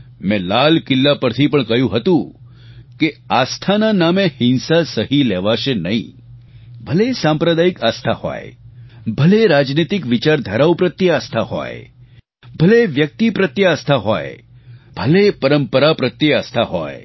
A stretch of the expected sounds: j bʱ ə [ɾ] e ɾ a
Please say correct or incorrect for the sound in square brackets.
incorrect: l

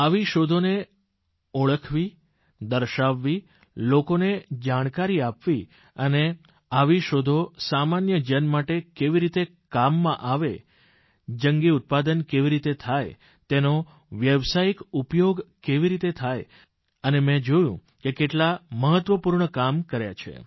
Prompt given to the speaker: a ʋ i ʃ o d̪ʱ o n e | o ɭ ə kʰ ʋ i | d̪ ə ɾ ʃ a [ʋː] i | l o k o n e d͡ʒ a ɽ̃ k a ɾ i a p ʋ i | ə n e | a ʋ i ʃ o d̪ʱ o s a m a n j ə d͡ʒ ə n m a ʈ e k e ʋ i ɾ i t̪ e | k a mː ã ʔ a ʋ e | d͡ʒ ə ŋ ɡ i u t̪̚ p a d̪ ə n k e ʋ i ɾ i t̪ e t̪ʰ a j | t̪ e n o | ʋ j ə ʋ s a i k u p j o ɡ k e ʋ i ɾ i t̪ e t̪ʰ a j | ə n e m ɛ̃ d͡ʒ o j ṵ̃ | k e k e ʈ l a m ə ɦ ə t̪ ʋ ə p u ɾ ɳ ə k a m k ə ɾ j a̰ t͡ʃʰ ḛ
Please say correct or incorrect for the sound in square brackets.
correct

